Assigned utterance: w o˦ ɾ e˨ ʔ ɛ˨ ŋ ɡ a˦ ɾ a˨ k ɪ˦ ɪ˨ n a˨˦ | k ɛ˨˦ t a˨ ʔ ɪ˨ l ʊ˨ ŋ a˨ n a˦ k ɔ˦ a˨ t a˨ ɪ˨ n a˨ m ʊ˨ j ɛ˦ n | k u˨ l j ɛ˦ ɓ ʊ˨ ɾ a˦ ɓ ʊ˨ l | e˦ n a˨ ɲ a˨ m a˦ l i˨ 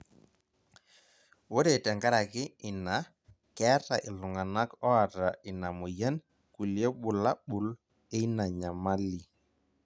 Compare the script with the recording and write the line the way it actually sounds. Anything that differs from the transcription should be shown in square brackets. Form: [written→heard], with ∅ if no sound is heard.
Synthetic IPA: w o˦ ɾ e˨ [ʔ→t] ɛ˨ ŋ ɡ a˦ ɾ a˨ k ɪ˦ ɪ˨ n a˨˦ | k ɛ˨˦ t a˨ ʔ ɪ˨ l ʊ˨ ŋ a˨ n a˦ k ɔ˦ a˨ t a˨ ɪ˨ n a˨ m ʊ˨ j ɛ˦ n | k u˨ l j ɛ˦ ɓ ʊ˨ [ɾ→l] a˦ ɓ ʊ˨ l | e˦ n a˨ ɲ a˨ m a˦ l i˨